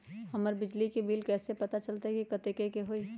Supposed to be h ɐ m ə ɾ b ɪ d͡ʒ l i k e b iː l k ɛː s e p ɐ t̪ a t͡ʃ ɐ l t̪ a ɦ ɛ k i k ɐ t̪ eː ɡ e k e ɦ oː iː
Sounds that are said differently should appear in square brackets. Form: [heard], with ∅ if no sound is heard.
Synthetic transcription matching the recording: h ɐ m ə ɾ b ɪ d͡ʒ l i k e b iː l k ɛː s e p ɐ t̪ a t͡ʃ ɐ l t̪ a ɦ ɛ k i k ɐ t̪ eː [k] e k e ɦ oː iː